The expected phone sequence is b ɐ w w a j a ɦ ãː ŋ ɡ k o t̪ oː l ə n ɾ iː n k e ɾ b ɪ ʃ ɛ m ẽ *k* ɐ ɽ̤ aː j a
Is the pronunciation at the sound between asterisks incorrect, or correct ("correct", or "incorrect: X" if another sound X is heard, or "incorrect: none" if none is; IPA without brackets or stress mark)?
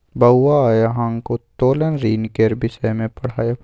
incorrect: p